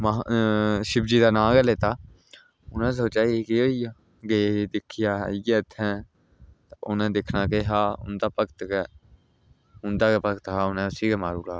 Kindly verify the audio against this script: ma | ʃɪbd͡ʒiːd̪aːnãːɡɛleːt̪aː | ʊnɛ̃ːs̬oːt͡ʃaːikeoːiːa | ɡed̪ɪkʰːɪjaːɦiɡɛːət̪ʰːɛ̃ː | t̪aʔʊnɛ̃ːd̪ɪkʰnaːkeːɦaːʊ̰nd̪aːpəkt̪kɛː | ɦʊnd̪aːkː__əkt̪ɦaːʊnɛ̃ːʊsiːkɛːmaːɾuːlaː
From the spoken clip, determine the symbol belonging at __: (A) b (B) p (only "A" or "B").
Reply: B